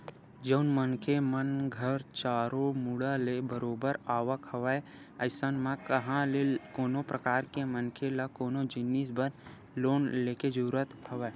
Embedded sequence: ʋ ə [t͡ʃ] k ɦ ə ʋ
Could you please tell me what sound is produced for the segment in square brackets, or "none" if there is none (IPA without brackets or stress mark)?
none